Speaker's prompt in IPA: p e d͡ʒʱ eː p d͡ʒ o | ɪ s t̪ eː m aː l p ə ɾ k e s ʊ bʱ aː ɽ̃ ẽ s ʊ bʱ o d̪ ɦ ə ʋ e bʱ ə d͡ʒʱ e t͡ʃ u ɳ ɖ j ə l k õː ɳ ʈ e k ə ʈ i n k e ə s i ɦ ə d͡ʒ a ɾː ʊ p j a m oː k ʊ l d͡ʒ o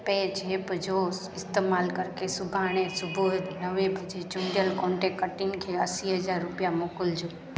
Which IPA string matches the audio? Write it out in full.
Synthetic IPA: p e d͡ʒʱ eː p d͡ʒ o | ɪ s t̪ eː m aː l k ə ɾ k e s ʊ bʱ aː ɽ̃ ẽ s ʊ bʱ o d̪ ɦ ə ʋ e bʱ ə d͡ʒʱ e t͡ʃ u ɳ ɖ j ə l k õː ɳ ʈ e k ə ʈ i n kʰ e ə s i ɦ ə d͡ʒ a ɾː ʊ p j a m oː k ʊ l d͡ʒ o